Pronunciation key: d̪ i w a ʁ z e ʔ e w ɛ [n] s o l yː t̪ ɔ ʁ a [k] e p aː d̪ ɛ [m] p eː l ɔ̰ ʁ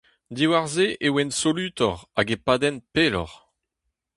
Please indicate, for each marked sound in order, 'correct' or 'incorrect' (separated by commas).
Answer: correct, incorrect, incorrect